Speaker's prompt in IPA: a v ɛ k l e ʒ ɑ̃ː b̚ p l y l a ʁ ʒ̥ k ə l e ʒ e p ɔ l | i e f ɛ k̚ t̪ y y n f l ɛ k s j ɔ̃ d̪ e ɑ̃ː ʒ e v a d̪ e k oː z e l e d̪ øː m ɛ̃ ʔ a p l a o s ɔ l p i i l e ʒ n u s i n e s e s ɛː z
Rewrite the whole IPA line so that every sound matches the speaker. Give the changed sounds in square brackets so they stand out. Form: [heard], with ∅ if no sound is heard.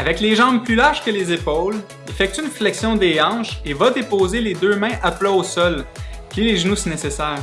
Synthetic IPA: a v ɛ k l e ʒ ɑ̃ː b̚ p l y l a ʁ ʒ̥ k ə l e [z] e p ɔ l | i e f ɛ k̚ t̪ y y n f l ɛ k s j ɔ̃ d̪ e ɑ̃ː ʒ e v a d̪ e [p] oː z e l e d̪ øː m ɛ̃ ʔ a p l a o s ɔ l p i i l e ʒ n u s i n e s e s ɛː [ʁ]